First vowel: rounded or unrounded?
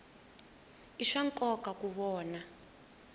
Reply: unrounded